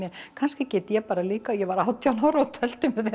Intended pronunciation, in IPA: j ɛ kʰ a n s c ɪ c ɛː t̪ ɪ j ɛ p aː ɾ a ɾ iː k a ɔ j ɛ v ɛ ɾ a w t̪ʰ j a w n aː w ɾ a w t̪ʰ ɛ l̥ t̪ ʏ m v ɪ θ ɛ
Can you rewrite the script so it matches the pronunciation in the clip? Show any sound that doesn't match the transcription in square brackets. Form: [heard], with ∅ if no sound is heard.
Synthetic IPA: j ɛ kʰ a n s c ɪ c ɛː t̪ ɪ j ɛ p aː ɾ a [l] iː k a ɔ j ɛ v [a] ɾ a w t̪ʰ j a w n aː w ɾ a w t̪ʰ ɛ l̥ t̪ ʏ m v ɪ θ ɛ